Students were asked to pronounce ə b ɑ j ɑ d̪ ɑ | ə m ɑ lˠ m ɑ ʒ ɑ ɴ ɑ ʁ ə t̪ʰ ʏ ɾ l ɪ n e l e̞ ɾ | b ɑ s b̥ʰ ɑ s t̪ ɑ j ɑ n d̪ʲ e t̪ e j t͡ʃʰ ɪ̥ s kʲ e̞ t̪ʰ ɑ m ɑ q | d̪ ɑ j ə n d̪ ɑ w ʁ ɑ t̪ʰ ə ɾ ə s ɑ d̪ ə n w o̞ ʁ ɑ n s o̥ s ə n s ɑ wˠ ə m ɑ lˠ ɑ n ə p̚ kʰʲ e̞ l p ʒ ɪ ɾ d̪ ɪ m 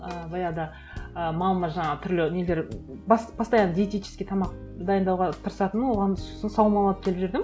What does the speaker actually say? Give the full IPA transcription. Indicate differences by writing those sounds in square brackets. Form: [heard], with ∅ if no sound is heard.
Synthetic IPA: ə b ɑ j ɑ d̪ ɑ | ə m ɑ lˠ m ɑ ʒ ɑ ɴ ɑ ʁ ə t̪ʰ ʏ ɾ l ɪ n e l e̞ ɾ | b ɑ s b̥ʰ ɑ s t̪ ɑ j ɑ n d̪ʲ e t̪ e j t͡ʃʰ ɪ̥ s kʲ e̞ t̪ʰ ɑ m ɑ q | d̪ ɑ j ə n d̪ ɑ w ʁ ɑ t̪ʰ ə ɾ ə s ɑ [t̪] ə n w o̞ ʁ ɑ n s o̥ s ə n s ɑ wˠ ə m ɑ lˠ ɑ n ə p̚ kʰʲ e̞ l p ʒ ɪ ɾ d̪ ɪ m

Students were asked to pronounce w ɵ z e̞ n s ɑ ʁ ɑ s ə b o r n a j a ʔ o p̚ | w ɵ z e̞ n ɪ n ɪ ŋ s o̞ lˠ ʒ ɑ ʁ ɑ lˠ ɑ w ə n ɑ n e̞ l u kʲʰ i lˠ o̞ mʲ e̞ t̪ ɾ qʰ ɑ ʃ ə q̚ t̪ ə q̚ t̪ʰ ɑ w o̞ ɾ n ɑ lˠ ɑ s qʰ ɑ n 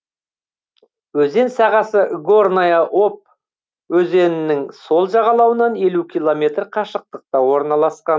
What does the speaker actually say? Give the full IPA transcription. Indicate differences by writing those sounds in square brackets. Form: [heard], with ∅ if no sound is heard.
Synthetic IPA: w ɵ z e̞ n s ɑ ʁ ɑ s ə [ɡ] o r n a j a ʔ o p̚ | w ɵ z e̞ n ɪ n ɪ ŋ s o̞ lˠ ʒ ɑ ʁ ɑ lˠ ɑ w ə n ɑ n e̞ l u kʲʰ i lˠ o̞ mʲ e̞ t̪ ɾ qʰ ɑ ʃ ə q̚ t̪ ə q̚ [t̪] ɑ w o̞ ɾ n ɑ lˠ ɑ s [q] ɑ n

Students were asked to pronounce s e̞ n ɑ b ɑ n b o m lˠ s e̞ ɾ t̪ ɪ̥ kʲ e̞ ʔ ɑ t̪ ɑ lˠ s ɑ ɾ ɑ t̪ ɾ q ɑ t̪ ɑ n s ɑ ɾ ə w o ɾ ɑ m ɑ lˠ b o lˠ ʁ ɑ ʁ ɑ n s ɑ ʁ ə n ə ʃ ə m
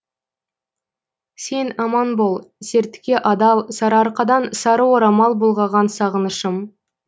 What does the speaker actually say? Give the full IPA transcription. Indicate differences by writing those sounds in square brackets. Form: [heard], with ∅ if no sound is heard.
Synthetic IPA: s e̞ n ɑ [m] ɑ n b o [∅] lˠ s e̞ ɾ t̪ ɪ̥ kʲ e̞ ʔ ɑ [d̪] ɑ lˠ s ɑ ɾ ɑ [∅] ɾ q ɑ [d̪] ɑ n s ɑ ɾ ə w o ɾ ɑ m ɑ lˠ b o lˠ ʁ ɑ ʁ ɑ n s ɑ ʁ ə n ə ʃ ə m

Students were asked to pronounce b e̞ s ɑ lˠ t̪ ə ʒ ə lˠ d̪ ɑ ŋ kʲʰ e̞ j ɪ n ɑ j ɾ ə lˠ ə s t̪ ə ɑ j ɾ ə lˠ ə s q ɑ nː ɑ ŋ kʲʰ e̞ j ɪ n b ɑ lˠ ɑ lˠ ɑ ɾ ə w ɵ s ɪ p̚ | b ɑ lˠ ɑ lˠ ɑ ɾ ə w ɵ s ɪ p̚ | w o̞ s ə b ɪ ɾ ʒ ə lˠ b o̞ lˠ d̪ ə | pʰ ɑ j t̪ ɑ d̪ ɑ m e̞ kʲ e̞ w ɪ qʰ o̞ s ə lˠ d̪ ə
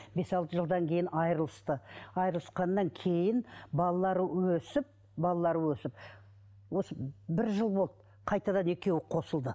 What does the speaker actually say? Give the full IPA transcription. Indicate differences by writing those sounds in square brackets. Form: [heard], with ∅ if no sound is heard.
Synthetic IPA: b e̞ s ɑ lˠ t̪ ə ʒ ə lˠ d̪ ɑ ŋ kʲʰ e̞ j ɪ n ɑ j ɾ ə lˠ ə s t̪ ə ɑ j ɾ ə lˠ ə s q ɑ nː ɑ ŋ kʲʰ e̞ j ɪ n b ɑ lˠ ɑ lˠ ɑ ɾ ə w ɵ s ɪ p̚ | b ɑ lˠ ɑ lˠ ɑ ɾ ə w ɵ s ɪ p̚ | w o̞ s ə b ɪ ɾ ʒ ə lˠ b o̞ lˠ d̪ ə | [qʰ] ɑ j t̪ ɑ d̪ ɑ [n] e̞ kʲ e̞ w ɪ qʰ o̞ s ə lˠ d̪ ə

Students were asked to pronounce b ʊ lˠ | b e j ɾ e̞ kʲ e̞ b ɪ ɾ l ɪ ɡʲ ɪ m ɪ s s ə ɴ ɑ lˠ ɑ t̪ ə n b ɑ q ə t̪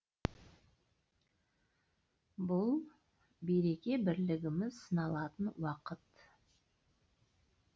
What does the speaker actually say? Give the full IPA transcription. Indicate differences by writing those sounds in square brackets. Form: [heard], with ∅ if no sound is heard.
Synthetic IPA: b ʊ lˠ | b e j ɾ e̞ kʲ e̞ b ɪ ɾ l ɪ ɡʲ ɪ m ɪ [z] s ə [n] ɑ lˠ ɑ t̪ ə n [w] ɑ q ə t̪

